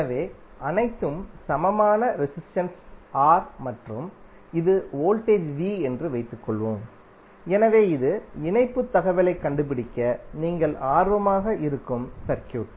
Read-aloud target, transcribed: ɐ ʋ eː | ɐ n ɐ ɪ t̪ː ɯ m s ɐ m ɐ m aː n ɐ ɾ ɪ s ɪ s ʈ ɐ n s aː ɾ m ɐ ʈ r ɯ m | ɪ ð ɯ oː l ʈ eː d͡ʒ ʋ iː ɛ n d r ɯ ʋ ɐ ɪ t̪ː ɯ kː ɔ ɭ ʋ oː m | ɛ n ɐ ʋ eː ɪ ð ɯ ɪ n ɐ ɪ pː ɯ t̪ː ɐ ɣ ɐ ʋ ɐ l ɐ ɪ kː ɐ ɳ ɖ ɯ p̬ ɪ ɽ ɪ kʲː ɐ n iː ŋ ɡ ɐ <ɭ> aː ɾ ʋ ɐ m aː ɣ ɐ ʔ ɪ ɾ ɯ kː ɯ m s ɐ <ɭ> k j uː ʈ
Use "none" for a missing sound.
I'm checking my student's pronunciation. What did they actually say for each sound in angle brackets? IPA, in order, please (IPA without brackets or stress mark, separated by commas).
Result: ɭ, ɾ